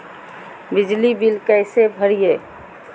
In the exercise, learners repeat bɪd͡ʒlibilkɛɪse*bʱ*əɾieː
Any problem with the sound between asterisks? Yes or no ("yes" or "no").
no